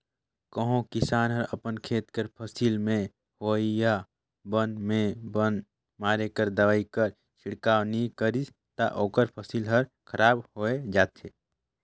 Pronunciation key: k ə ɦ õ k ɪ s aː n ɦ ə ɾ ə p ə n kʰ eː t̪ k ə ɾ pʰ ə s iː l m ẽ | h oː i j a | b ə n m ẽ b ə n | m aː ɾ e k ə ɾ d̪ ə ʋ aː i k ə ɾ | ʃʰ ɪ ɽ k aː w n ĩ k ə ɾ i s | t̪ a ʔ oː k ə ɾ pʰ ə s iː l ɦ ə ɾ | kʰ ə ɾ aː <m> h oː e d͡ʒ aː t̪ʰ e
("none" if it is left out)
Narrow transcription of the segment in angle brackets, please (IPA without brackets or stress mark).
b